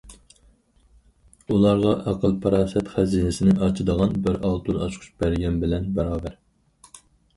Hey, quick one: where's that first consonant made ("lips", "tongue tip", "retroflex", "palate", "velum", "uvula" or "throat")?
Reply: tongue tip